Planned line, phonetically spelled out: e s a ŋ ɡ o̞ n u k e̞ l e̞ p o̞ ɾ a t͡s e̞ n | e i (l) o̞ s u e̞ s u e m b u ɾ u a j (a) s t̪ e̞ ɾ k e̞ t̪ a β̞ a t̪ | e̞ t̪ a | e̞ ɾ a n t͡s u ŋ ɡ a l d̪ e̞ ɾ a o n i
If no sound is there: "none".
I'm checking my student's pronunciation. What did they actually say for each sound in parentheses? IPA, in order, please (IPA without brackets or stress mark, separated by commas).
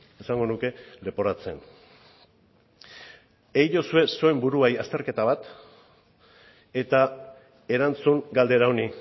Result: ʎ, a